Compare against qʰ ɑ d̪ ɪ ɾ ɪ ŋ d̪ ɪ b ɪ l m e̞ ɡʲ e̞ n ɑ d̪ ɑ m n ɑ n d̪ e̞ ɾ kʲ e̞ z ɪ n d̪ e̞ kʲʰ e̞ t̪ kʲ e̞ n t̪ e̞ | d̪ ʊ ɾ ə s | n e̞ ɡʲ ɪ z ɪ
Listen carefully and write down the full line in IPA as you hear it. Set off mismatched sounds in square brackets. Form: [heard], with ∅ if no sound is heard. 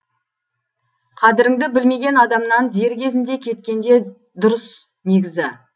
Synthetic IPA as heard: qʰ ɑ d̪ ɪ ɾ ɪ ŋ d̪ ɪ b ɪ l m e̞ ɡʲ e̞ n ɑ d̪ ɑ m n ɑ n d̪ e̞ ɾ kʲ e̞ z ɪ n d̪ e̞ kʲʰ e̞ t̪ kʲ e̞ n [d̪] e̞ | d̪ ʊ ɾ ə s | n e̞ ɡʲ ɪ z ɪ